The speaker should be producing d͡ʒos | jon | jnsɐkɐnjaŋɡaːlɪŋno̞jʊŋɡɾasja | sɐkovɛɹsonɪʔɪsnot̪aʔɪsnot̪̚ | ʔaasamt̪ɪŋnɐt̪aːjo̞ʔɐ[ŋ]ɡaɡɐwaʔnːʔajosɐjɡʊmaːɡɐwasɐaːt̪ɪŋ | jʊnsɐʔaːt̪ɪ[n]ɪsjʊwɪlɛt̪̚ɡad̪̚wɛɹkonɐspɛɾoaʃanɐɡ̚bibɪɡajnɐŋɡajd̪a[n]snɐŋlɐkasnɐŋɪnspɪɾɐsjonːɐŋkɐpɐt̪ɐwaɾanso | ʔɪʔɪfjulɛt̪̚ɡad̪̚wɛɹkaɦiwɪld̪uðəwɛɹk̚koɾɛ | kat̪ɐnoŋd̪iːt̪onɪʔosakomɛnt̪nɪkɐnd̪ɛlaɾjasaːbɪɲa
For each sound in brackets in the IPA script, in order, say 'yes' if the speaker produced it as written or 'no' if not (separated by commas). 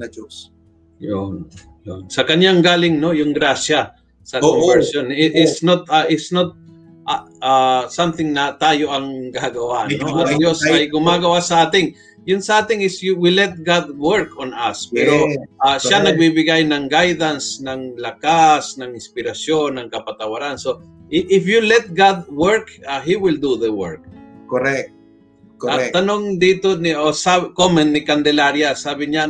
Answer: yes, no, yes